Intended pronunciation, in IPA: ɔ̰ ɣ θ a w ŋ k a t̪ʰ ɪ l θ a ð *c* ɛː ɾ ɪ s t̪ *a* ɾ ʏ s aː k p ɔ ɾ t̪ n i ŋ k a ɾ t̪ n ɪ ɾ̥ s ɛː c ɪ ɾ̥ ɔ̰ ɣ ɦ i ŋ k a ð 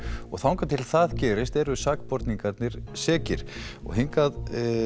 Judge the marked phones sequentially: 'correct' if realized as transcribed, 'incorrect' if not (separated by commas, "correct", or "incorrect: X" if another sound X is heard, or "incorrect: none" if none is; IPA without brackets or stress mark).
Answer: correct, incorrect: ɛ